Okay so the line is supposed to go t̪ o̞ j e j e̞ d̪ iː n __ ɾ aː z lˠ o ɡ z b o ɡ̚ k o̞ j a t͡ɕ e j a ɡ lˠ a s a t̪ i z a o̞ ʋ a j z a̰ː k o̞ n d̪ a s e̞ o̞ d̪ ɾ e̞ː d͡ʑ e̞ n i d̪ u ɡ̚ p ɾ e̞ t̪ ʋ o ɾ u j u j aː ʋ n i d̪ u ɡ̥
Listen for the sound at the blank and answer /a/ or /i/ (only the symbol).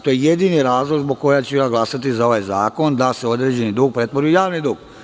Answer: i